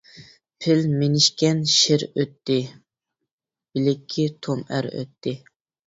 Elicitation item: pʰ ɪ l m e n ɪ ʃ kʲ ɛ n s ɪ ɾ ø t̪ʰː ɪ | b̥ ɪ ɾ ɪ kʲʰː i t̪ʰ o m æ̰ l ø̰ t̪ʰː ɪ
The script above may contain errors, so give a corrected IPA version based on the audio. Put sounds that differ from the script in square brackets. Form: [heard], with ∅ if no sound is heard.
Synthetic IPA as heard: pʰ ɪ l m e n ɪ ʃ kʲ ɛ n [ʃ] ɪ ɾ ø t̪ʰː ɪ | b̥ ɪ [l] ɪ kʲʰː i t̪ʰ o m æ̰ [ɾ] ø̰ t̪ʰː ɪ